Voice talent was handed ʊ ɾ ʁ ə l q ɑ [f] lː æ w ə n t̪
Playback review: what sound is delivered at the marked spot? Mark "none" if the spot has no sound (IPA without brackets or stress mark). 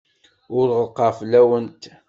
f